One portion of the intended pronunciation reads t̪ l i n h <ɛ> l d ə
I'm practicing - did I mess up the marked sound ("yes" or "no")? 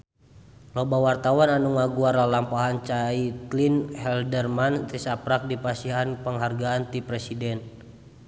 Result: no